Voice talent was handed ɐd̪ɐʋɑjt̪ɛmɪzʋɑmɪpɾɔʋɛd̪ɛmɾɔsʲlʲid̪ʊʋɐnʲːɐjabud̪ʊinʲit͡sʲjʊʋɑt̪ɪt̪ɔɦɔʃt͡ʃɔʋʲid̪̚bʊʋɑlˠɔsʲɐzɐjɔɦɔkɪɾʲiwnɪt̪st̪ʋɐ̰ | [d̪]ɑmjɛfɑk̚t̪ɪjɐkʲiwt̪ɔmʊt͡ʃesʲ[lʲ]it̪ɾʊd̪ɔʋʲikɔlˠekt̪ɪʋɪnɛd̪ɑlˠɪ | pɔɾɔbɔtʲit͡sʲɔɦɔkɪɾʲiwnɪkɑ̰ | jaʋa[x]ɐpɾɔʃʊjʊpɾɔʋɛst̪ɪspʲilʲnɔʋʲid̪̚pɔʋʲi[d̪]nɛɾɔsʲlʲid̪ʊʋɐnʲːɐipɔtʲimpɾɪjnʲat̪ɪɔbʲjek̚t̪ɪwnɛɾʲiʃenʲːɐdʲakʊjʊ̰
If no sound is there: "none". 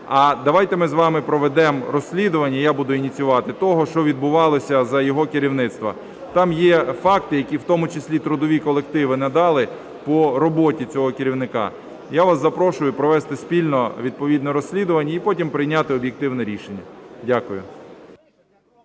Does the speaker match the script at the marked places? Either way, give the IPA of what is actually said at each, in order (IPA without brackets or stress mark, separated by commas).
t̪, lʲ, s, d̪